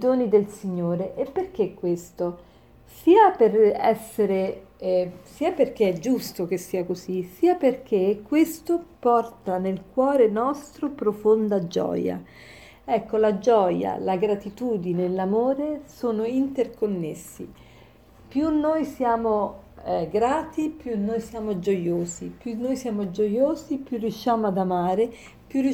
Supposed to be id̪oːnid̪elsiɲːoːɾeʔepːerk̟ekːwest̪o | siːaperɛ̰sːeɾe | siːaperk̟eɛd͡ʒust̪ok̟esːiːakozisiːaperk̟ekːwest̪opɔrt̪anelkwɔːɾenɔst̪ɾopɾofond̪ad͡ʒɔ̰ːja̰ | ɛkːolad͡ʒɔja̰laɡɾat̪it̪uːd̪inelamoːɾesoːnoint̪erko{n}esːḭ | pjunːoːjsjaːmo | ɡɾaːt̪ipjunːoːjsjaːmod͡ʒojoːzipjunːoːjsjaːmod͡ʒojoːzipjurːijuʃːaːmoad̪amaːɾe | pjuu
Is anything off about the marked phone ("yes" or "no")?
yes